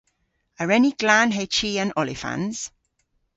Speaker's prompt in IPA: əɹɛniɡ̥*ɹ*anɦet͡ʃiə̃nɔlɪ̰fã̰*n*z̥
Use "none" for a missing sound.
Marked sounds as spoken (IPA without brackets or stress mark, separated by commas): l, n